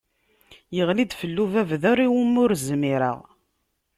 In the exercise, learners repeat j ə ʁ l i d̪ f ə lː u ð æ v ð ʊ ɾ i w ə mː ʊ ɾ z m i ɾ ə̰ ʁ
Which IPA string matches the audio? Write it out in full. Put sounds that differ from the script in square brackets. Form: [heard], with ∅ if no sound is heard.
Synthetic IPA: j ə ʁ l i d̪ f ə lː u [v] æ v ð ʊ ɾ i w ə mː ʊ ɾ z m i ɾ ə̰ ʁ